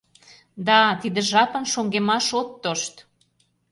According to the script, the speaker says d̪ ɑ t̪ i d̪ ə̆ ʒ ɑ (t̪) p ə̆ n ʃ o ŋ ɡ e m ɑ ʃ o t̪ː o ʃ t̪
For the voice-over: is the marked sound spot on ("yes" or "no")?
no